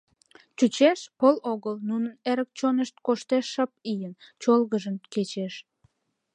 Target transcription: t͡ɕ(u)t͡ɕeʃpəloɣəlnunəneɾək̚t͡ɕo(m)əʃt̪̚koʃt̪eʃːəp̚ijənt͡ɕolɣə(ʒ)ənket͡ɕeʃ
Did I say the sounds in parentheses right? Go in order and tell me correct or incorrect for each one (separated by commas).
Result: correct, incorrect, correct